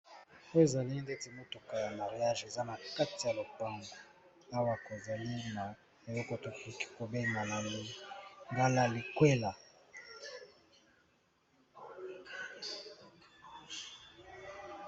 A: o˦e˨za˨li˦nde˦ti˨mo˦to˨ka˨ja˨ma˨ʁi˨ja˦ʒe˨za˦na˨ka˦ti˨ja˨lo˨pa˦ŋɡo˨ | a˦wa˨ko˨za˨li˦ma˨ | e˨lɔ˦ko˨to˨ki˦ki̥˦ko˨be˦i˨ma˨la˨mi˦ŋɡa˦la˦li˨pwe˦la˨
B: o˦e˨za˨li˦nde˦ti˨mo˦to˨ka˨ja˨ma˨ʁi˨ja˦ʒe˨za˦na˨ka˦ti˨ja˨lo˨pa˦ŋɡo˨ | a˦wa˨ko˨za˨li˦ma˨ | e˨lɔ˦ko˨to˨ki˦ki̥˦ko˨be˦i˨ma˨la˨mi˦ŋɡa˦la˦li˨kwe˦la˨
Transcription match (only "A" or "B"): B